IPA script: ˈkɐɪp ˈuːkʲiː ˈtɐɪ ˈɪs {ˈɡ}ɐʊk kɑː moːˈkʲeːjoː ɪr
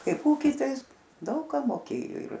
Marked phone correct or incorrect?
incorrect